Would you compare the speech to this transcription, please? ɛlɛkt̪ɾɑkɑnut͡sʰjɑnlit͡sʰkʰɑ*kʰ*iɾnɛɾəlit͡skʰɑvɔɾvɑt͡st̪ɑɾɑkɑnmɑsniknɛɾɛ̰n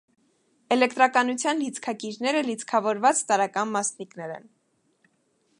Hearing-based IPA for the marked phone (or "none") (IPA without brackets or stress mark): k